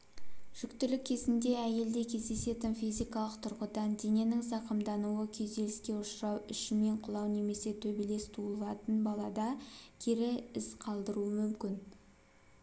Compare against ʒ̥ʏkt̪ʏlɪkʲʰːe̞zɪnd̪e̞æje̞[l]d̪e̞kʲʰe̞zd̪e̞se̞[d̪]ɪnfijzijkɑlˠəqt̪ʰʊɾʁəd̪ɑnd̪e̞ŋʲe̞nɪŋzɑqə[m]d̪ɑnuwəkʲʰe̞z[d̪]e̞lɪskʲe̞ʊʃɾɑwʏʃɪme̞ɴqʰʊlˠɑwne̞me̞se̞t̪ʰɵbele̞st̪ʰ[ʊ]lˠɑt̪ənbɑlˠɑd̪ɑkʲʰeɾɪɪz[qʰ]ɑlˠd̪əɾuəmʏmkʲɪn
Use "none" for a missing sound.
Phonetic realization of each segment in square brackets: l, t̪, m, d̪, u, qʰ

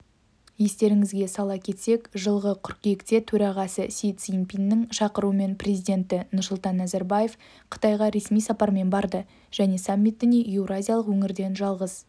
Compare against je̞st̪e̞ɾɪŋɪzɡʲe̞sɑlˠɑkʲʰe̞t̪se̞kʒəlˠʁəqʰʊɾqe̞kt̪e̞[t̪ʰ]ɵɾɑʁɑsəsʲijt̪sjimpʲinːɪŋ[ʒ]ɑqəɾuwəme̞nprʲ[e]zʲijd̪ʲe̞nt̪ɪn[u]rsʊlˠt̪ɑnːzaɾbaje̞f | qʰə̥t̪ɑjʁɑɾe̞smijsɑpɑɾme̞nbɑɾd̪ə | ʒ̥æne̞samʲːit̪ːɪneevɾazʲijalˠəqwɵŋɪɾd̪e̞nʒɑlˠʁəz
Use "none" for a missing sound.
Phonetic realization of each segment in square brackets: t̪ʰ, ʃ, e, ʊ

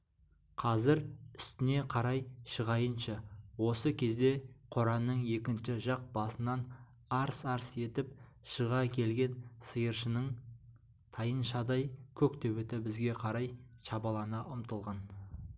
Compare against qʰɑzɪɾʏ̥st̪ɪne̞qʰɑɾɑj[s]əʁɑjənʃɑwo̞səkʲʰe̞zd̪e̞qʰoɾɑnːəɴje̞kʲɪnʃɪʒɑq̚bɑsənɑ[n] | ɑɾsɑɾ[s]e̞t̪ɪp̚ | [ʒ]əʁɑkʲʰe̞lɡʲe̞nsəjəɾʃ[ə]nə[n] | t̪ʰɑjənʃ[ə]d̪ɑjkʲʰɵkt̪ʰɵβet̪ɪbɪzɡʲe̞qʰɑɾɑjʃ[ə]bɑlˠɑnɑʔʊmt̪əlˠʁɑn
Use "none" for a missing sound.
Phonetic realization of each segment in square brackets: ʃ, n, s, ʃ, ə, ɴ, ɑ, ɑ

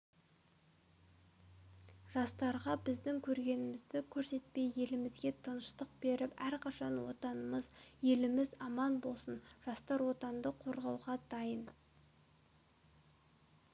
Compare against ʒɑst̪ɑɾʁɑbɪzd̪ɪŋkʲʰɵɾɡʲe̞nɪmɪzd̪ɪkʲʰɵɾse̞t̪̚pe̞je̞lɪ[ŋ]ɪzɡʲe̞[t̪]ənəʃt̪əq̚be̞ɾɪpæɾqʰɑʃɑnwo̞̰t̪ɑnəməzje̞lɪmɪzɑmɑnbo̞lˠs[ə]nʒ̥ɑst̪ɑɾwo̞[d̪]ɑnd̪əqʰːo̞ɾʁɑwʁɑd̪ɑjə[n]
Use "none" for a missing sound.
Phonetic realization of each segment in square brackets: m, t̪ʰ, ə, t̪, n

